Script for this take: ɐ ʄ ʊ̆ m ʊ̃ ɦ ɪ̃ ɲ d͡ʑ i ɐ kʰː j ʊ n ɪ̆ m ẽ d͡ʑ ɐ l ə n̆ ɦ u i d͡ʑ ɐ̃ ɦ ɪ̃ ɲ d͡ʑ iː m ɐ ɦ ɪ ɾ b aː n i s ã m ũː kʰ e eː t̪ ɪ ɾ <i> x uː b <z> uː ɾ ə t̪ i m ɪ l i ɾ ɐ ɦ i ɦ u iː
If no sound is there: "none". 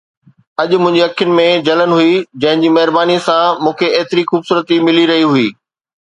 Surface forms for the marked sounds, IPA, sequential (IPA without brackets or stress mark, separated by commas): i, s